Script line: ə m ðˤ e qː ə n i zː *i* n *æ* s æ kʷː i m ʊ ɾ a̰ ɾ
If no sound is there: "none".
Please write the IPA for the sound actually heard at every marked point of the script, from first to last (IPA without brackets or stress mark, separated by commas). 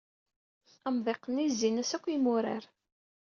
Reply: i, æ